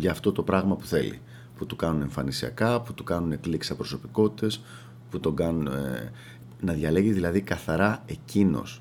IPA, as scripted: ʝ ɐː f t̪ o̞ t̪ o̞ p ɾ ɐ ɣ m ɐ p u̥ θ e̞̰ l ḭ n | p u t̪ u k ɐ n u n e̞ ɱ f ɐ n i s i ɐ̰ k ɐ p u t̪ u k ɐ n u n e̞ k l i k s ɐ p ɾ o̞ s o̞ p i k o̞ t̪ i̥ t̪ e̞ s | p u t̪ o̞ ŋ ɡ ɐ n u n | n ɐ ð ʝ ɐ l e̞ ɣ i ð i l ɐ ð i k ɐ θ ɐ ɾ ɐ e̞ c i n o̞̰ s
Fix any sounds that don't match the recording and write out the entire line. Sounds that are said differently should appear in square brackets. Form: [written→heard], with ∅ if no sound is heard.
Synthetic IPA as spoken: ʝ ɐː f t̪ o̞ t̪ o̞ p ɾ ɐ ɣ m ɐ p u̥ θ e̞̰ l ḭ [n→∅] | p u t̪ u k ɐ n u n e̞ ɱ f ɐ n i s i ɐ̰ k ɐ p u t̪ u k ɐ n u n e̞ k l i k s ɐ p ɾ o̞ s o̞ p i k o̞ t̪ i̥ t̪ e̞ s | p u t̪ o̞ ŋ ɡ ɐ n u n | n ɐ ð ʝ ɐ l e̞ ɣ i ð i l ɐ ð i k ɐ θ ɐ ɾ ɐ e̞ c i n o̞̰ s